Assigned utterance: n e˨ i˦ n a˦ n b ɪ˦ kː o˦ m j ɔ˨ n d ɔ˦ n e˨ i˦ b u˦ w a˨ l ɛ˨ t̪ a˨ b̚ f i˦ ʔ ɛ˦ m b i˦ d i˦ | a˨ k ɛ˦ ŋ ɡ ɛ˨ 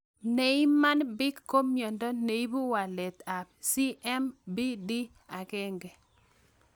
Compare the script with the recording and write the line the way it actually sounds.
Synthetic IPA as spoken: n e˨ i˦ m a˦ n b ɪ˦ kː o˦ m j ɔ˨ n d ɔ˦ n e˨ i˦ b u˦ w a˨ l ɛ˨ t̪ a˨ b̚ s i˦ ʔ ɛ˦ m b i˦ d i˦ | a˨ k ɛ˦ ŋ ɡ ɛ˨